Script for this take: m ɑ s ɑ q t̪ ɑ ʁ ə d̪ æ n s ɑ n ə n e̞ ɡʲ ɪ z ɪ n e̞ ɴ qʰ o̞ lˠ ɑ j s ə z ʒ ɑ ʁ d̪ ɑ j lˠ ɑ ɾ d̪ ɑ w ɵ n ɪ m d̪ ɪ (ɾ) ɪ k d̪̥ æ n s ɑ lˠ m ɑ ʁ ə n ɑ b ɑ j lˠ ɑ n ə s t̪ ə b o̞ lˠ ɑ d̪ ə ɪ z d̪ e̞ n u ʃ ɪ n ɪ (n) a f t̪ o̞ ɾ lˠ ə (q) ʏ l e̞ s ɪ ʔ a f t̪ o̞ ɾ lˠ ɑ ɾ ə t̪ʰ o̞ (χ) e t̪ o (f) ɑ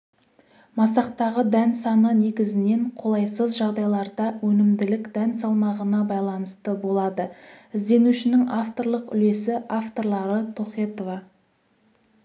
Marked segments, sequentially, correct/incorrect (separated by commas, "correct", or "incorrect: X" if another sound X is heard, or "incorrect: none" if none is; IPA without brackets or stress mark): incorrect: l, incorrect: ŋ, correct, correct, incorrect: v